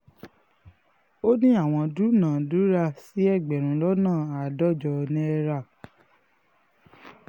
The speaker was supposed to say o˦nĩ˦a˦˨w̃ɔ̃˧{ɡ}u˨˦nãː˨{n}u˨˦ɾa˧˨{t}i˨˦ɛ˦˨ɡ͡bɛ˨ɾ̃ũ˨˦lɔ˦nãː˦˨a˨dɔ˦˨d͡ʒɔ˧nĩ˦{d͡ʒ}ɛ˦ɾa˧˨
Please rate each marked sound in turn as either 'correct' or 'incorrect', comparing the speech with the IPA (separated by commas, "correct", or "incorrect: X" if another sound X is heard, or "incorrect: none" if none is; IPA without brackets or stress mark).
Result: incorrect: d, incorrect: d, incorrect: s, incorrect: none